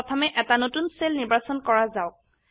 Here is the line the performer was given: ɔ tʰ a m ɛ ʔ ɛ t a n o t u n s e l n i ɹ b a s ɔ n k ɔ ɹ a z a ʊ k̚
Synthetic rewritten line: ɔ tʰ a m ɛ ʔ ɛ t a n o t u n s e l n i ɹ b a s ɔ n k ɔ ɹ a z a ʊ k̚

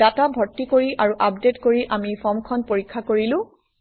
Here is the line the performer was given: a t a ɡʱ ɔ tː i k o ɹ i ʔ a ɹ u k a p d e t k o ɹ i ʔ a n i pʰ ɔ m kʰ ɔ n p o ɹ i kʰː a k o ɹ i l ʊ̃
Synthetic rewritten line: a t a bʱ ɔ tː i k o ɹ i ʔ a ɹ u ʔ a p d e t k o ɹ i ʔ a m i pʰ ɔ m kʰ ɔ n p o ɹ i kʰː a k o ɹ i l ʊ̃

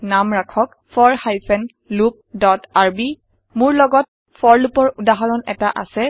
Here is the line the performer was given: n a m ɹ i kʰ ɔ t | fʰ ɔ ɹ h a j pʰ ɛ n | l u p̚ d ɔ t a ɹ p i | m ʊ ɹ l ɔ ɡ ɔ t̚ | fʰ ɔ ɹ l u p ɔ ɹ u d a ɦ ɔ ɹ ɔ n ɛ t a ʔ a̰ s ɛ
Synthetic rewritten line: n a m ɹ a kʰ ɔ k | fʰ ɔ ɹ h a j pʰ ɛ n | l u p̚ d ɔ t a ɹ b i | m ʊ ɹ l ɔ ɡ ɔ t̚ | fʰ ɔ ɹ l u p ɔ ɹ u d a ɦ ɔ ɹ ɔ n ɛ t a ʔ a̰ s ɛ

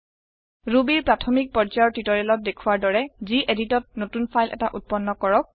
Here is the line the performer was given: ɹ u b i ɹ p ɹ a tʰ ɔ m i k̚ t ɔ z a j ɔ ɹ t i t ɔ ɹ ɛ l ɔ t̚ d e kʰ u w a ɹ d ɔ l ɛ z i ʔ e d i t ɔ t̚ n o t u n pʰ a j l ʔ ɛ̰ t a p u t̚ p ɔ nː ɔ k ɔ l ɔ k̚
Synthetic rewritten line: ɹ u b i ɹ p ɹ a tʰ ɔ m i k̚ p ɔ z a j ɔ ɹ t i t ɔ ɹ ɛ l ɔ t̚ d e kʰ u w a ɹ d ɔ ɹ ɛ z i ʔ e d i t ɔ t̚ n o t u n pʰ a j l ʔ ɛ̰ t a ʔ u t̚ p ɔ nː ɔ k ɔ ɹ ɔ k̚

